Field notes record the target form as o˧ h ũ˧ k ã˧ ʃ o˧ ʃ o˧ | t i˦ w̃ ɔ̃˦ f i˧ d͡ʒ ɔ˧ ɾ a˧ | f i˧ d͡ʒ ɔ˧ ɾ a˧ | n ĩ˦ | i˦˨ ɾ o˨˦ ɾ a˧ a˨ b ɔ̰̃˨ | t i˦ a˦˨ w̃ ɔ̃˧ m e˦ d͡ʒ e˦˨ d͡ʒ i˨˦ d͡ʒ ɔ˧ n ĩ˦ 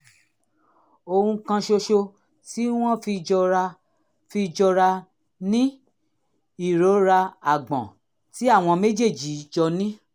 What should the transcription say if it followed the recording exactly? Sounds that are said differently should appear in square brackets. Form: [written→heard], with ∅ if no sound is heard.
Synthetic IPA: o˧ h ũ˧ k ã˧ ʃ o˧ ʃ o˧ | t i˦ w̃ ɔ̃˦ f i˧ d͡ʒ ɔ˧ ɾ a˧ | f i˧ d͡ʒ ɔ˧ ɾ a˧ | n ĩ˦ | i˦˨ ɾ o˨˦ ɾ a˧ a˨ [b→ɡ͡b] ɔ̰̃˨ | t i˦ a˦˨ w̃ ɔ̃˧ m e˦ d͡ʒ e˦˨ d͡ʒ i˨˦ d͡ʒ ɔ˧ n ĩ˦